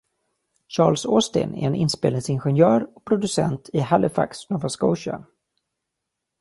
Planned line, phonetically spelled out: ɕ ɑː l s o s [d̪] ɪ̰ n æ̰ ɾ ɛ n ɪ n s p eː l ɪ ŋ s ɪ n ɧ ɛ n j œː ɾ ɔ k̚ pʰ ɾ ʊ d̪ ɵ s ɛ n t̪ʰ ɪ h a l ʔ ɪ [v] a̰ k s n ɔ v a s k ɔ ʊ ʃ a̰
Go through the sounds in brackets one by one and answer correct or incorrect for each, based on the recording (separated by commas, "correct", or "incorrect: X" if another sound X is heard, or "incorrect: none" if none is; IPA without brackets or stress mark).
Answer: incorrect: t̪, incorrect: f